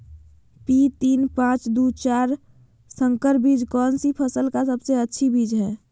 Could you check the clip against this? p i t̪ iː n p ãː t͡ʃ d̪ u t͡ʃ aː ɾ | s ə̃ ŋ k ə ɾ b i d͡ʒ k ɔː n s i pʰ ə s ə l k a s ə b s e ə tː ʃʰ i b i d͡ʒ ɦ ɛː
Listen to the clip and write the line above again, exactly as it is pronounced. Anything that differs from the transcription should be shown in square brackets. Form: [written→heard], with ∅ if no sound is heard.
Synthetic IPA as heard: p i t̪ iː n p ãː t͡ʃ d̪ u t͡ʃ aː ɾ | s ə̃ ŋ k ə ɾ b i d͡ʒ k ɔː n s i pʰ ə s ə l k a s ə b s e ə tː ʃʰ i b i d͡ʒ ɦ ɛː